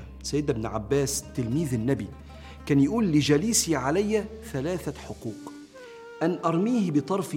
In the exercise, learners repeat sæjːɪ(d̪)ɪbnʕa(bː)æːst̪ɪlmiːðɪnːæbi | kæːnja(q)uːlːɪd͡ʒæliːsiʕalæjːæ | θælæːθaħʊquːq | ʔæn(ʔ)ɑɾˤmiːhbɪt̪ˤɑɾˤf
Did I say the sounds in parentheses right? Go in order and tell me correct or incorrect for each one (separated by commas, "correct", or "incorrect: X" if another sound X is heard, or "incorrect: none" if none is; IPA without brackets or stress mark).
correct, correct, incorrect: ʔ, correct